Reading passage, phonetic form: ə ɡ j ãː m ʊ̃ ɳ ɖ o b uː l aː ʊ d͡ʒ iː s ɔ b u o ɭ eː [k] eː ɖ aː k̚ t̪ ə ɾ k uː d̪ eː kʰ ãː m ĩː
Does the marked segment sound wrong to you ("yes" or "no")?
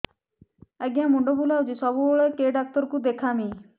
no